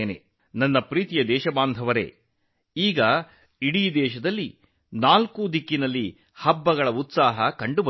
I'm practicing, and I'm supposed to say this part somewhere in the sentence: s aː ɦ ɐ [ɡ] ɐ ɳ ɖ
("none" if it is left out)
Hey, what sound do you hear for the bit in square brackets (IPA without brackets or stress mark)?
k